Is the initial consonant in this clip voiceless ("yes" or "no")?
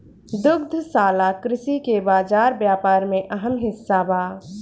no